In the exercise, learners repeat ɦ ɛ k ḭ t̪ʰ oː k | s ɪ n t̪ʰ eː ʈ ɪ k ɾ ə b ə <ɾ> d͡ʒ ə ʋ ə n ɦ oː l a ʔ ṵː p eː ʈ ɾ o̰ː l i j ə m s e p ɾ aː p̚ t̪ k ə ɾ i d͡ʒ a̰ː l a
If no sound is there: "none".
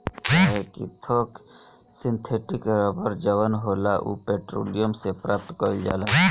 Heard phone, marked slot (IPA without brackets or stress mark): ɾ